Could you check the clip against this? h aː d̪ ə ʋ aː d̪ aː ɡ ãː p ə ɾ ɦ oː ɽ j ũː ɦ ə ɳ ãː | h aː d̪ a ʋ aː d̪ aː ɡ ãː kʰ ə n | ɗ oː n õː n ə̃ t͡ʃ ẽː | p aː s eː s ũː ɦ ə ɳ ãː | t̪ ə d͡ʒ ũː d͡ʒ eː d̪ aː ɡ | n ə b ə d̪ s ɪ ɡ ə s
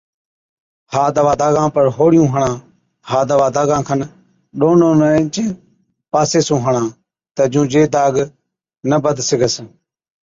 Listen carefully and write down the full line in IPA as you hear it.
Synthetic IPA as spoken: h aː d̪ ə ʋ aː d̪ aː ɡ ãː p ə ɾ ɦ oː ɽ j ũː ɦ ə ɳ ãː | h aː d̪ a ʋ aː d̪ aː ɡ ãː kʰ ə n | ɗ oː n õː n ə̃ t͡ʃ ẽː | p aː s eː s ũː ɦ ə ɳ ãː | t̪ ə d͡ʒ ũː d͡ʒ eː d̪ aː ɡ | n ə b ə d̪ s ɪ ɡ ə s